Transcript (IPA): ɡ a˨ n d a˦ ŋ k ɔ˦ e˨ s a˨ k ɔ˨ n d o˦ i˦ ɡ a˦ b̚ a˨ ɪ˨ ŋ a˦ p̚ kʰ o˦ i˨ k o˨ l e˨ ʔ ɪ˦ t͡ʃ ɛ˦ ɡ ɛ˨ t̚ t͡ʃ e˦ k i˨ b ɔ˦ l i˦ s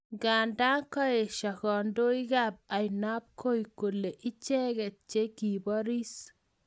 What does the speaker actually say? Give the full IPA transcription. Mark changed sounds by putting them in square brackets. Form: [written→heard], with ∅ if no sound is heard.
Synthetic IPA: ɡ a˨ n d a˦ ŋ k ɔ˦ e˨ [s→ʃ] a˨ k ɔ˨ n d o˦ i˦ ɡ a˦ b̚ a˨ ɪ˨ [ŋ→n] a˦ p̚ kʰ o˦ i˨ k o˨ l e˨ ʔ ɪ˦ t͡ʃ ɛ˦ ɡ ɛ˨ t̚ t͡ʃ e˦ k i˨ b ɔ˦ [l→ɾ] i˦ s

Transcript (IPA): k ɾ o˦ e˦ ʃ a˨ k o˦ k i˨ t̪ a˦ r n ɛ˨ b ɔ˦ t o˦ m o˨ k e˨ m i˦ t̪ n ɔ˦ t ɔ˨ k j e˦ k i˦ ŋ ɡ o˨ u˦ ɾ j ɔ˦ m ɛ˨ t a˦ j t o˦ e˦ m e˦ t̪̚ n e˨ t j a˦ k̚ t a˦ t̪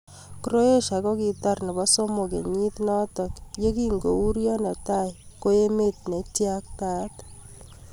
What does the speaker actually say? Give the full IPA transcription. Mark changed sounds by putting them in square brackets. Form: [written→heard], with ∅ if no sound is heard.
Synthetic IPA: k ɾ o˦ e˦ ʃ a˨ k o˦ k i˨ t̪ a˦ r n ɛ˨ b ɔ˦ [t→s] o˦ m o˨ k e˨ [m→ɲ] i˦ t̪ n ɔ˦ t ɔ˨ k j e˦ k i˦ ŋ ɡ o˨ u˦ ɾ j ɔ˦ [m→n] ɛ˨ t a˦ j [t→k] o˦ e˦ m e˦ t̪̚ n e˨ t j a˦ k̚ t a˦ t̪

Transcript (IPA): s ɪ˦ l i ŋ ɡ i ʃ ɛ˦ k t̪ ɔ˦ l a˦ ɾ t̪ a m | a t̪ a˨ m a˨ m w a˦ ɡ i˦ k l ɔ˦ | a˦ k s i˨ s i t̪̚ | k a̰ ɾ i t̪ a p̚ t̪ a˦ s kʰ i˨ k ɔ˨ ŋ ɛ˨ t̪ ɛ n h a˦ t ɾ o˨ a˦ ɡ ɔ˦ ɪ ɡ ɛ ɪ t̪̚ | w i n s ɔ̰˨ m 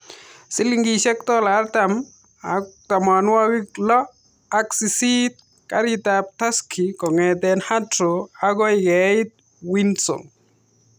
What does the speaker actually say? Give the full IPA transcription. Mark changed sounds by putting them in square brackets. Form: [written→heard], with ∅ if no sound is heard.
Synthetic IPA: s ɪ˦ l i ŋ ɡ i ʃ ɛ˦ k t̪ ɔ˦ l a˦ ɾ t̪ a m | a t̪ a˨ m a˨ [m→n] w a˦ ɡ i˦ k l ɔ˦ | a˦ k s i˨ s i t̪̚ | k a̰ ɾ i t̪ a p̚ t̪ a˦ s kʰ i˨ k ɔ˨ ŋ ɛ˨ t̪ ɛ n h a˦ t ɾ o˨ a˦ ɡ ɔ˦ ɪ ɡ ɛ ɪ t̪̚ | w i n s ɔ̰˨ [m→ŋ]

